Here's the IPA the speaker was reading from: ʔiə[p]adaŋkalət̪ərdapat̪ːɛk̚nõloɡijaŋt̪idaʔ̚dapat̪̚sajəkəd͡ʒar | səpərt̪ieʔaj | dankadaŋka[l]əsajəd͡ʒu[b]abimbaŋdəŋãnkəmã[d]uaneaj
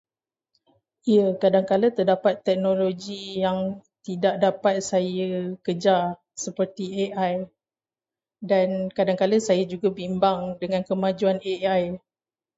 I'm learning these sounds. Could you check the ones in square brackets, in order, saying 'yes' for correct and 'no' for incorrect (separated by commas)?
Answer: no, yes, no, no